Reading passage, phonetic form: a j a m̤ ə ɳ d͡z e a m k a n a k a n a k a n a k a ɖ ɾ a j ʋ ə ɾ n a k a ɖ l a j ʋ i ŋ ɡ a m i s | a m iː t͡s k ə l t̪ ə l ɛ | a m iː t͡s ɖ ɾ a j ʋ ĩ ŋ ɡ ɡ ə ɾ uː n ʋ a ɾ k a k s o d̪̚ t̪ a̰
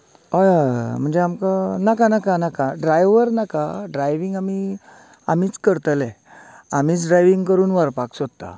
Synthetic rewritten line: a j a m̤ ə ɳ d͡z e a m k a n a k a n a k a n a k a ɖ ɾ a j ʋ ə ɾ n a k a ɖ ɾ a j ʋ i ŋ ɡ a m i | a m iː t͡s k ə ɾ t̪ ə l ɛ | a m iː t͡s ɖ ɾ a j ʋ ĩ ŋ ɡ k ə ɾ uː n ʋ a ɾ p a k s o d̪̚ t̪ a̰